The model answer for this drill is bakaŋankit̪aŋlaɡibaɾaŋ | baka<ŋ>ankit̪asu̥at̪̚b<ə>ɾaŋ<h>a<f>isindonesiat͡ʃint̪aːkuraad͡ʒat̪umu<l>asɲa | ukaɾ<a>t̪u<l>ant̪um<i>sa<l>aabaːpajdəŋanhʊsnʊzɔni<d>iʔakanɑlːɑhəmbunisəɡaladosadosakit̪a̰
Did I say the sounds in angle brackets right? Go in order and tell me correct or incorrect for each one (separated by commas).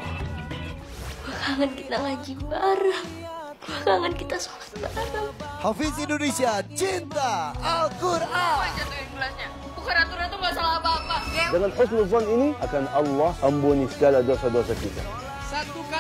correct, incorrect, correct, correct, correct, correct, incorrect, incorrect, correct, incorrect